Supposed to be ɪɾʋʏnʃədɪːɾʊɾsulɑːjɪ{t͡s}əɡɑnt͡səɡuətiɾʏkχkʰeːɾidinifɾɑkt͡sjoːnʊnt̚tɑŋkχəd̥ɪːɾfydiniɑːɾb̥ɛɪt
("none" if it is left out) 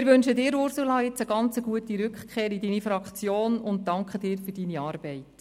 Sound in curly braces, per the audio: t͡s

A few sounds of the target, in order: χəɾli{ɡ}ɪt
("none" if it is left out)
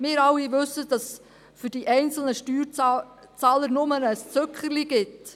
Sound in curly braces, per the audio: ɡ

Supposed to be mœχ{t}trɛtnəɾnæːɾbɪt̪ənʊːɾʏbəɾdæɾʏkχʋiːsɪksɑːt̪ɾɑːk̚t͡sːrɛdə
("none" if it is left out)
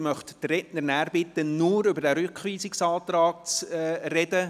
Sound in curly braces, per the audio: t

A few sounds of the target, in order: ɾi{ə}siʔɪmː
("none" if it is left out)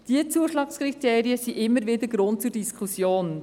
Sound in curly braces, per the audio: ə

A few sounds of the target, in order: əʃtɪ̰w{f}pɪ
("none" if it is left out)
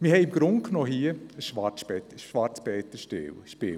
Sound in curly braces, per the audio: ʃ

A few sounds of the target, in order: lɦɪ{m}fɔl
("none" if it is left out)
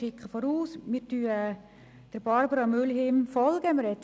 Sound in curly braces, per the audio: m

